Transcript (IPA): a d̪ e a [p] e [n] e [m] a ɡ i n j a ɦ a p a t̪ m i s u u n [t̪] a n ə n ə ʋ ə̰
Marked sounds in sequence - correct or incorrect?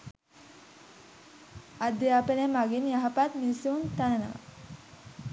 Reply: correct, correct, correct, correct

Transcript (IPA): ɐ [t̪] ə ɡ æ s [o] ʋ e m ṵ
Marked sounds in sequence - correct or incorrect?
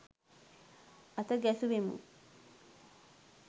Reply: correct, incorrect: u

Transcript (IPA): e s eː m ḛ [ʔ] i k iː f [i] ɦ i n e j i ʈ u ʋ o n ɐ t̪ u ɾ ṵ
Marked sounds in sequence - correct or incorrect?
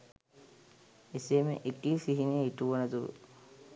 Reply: correct, correct

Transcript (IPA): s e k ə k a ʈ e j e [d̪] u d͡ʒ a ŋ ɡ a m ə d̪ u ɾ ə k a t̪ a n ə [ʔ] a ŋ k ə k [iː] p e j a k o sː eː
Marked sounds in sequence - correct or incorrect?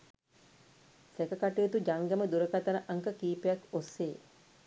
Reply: incorrect: t̪, correct, correct

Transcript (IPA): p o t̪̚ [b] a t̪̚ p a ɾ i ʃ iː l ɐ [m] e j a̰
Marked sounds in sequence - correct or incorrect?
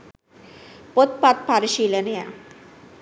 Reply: incorrect: p, incorrect: n

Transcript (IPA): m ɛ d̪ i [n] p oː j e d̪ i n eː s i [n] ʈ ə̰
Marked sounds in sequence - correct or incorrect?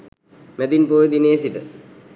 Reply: correct, incorrect: none

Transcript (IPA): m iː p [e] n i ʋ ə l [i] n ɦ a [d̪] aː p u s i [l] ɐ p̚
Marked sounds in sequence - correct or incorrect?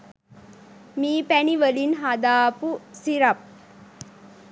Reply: incorrect: æ, correct, correct, incorrect: ɾ

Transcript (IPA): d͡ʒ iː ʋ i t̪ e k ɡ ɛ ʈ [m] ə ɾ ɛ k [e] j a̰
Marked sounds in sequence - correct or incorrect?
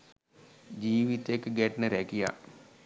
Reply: incorrect: n, incorrect: i

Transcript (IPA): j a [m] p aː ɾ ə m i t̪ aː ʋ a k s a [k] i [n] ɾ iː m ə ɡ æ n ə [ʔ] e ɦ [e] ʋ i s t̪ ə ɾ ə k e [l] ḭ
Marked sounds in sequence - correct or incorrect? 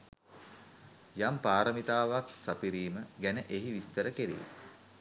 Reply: correct, incorrect: p, incorrect: none, correct, incorrect: i, incorrect: ɾ

